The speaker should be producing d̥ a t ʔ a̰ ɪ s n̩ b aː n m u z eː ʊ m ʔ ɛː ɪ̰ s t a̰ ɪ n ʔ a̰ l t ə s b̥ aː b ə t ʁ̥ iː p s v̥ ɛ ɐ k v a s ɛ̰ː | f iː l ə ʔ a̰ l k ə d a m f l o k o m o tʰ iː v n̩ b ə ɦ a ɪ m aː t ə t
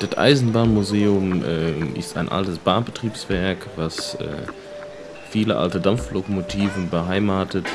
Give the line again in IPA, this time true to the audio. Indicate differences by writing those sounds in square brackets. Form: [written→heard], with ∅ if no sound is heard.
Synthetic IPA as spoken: d̥ a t ʔ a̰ ɪ [s→z] n̩ b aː n m u z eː ʊ m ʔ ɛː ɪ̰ s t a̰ ɪ n ʔ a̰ l t ə s b̥ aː b ə t ʁ̥ iː p s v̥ ɛ ɐ k v a s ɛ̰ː | f iː l ə ʔ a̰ l [k→t] ə d a m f l o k o m o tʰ iː v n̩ b ə ɦ a ɪ m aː t ə t